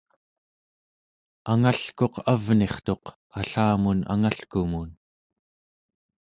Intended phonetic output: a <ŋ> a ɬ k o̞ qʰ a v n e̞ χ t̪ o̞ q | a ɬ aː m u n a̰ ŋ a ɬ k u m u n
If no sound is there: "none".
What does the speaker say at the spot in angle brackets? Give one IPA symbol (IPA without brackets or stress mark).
ŋ